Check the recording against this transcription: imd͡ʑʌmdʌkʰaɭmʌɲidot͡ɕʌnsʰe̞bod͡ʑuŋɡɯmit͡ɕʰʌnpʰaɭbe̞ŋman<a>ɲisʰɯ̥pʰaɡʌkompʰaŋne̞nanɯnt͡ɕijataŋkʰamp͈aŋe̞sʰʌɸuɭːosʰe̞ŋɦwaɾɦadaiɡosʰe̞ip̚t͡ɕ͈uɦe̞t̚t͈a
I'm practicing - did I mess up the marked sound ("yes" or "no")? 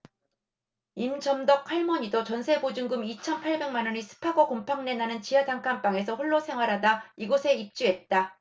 yes